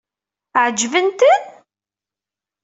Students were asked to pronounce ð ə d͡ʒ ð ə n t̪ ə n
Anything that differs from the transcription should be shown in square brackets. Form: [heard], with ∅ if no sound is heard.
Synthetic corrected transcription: [ʕ] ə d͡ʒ [v] ə n t̪ ə n